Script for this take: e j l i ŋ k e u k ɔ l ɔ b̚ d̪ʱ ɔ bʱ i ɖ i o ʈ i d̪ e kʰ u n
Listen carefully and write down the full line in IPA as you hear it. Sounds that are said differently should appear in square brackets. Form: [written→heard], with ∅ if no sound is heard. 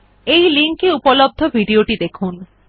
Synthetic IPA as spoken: e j l i ŋ k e u [k→p] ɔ l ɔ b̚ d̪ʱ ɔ bʱ i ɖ i o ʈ i d̪ e kʰ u n